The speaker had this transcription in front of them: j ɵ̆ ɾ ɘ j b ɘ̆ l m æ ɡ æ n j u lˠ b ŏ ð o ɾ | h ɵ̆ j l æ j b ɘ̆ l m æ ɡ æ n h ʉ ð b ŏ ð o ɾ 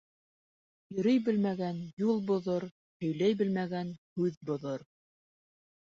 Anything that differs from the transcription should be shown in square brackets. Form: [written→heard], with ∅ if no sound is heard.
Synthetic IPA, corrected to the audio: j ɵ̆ ɾ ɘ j b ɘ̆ l m æ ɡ æ n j u lˠ b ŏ ð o ɾ | h ɵ̆ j l æ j b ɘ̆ l m æ ɡ æ n h ʉ ð b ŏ ð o ɾ